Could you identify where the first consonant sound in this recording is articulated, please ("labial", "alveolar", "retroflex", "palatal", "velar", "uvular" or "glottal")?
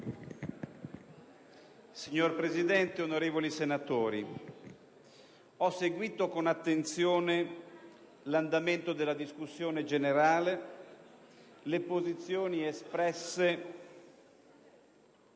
alveolar